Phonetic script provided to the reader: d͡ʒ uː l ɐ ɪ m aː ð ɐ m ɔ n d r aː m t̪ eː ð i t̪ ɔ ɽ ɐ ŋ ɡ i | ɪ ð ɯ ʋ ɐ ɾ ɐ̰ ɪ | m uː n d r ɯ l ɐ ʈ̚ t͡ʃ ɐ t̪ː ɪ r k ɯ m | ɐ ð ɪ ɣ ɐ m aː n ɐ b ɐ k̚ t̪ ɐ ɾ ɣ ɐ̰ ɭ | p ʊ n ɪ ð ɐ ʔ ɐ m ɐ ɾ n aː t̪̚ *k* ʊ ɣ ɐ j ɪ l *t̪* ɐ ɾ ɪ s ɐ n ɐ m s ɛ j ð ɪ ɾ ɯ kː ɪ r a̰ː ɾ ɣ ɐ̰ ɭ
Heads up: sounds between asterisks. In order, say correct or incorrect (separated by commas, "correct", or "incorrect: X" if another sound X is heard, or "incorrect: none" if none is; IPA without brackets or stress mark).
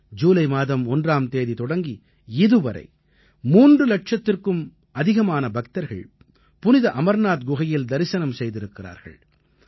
incorrect: ɡ, incorrect: d̪